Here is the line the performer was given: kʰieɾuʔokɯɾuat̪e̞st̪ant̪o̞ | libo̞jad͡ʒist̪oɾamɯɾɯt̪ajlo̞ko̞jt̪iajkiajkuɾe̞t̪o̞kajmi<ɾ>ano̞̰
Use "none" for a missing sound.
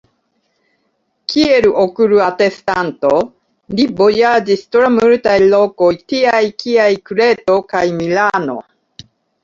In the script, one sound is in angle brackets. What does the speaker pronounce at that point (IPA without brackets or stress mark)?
l